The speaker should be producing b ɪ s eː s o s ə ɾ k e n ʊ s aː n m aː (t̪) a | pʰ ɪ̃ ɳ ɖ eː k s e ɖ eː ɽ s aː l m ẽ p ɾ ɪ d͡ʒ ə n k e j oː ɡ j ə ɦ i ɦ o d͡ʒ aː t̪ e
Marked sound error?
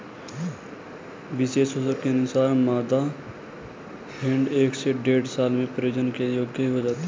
yes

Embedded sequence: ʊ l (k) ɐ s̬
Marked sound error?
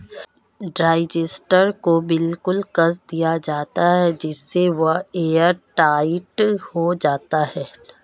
no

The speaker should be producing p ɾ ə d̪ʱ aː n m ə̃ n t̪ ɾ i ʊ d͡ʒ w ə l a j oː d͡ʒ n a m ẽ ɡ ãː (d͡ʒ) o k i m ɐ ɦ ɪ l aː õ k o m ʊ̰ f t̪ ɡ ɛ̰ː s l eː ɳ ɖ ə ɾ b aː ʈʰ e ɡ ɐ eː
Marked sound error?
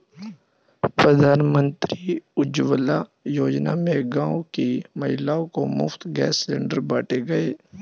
yes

